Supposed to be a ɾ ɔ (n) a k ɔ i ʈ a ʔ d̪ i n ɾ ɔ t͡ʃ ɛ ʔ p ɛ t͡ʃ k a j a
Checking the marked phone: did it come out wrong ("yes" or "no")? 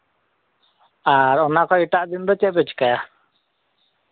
no